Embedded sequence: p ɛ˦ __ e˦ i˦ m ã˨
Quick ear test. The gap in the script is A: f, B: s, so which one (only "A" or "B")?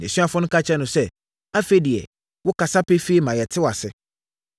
A